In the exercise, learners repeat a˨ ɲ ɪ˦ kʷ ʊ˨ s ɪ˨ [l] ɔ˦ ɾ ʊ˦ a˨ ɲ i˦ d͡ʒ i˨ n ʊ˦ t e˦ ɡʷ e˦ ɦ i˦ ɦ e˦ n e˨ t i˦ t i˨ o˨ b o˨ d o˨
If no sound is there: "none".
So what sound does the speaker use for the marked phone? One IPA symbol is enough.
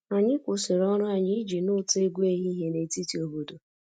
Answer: ɾ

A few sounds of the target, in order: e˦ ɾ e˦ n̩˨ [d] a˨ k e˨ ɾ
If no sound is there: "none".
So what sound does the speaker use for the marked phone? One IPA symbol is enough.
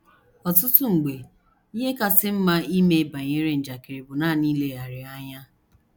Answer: d͡ʒ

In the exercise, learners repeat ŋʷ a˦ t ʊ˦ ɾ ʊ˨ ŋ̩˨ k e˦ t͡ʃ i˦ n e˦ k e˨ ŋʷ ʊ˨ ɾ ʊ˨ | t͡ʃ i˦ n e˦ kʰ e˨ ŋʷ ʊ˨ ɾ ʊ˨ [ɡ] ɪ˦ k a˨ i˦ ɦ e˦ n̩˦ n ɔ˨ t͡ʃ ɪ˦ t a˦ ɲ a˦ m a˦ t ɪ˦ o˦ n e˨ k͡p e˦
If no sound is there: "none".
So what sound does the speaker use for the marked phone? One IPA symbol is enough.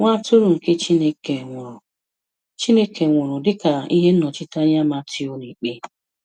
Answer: d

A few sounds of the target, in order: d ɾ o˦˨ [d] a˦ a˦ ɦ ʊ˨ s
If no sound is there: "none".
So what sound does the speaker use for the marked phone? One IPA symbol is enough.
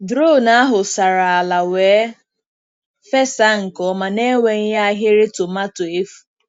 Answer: n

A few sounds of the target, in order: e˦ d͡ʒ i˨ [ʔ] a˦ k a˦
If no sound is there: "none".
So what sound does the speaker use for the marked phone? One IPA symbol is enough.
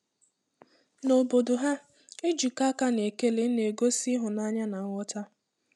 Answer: k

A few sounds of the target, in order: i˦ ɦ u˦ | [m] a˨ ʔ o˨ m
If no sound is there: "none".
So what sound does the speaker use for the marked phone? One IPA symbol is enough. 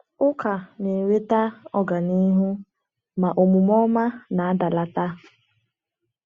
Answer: m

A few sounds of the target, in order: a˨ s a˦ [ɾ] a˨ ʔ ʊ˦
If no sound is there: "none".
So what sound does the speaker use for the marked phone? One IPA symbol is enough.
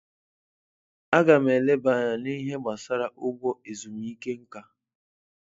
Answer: ɾ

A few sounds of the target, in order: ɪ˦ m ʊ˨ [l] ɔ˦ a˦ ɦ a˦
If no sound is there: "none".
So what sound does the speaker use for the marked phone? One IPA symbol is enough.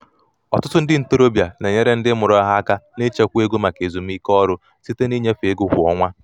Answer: ɾ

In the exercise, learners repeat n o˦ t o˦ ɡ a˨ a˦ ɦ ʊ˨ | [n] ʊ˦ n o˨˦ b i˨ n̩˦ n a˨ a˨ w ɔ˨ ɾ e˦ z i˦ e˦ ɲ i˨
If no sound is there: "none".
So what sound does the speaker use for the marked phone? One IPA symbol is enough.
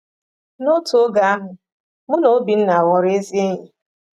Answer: m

